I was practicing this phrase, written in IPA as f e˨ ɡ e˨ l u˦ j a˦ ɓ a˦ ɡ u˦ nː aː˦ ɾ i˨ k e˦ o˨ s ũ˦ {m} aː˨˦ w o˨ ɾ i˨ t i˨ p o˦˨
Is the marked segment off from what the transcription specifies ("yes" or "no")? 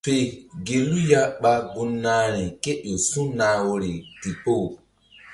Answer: yes